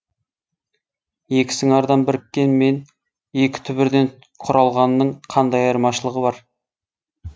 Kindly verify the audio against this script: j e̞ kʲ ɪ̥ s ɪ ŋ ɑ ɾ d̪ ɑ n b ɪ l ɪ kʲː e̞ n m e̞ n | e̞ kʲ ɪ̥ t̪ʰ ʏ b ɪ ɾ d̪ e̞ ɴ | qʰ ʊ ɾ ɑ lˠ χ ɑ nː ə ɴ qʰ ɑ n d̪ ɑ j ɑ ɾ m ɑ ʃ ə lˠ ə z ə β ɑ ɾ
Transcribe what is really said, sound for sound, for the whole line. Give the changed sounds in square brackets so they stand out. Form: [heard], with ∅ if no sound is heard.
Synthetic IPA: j e̞ kʲ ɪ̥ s ɪ ŋ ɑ ɾ d̪ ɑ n b ɪ [ɾ] ɪ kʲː e̞ n m e̞ n | e̞ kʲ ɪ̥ t̪ʰ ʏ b ɪ ɾ d̪ e̞ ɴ | qʰ ʊ ɾ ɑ lˠ [ʁ] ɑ nː ə ɴ qʰ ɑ n d̪ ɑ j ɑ ɾ m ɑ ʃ ə lˠ ə [ʁ] ə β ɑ ɾ